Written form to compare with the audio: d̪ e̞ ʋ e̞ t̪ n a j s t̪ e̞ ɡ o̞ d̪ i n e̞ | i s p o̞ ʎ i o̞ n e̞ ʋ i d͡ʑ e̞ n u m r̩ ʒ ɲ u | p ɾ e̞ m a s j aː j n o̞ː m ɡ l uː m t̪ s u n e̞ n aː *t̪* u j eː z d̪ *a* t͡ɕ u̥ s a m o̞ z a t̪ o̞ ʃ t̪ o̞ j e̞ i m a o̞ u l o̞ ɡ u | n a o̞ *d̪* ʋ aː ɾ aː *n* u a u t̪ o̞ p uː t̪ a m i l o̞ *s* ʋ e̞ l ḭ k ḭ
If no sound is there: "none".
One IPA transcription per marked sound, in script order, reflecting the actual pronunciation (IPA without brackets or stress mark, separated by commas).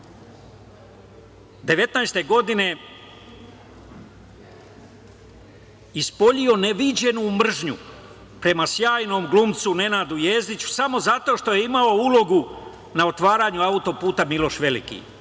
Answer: d̪, i, t̪, ɲ, ʃ